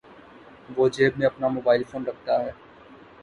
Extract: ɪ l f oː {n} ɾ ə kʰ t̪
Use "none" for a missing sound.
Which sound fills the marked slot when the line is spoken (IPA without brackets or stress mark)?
n